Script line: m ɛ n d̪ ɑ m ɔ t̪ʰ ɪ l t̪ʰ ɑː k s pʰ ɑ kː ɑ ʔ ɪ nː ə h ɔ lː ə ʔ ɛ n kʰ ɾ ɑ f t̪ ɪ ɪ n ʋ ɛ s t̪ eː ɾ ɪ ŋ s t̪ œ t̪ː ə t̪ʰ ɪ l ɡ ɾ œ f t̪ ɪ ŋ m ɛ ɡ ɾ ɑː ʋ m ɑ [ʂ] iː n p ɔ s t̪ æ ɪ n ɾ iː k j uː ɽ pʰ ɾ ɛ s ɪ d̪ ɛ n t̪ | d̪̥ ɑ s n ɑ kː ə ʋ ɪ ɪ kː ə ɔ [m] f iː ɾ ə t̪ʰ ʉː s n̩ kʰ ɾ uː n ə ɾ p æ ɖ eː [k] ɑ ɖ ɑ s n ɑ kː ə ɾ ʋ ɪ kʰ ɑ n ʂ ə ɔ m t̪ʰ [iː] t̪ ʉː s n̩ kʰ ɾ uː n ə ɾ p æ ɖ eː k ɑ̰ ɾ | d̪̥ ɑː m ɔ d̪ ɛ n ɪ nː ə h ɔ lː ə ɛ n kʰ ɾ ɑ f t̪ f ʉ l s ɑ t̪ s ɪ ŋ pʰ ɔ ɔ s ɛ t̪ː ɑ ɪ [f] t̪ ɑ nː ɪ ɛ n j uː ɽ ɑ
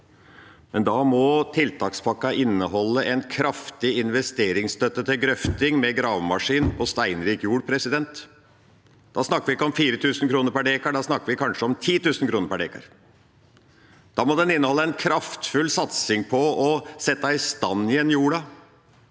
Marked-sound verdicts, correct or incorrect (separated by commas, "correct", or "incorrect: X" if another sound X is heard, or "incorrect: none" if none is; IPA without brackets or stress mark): correct, correct, correct, correct, incorrect: s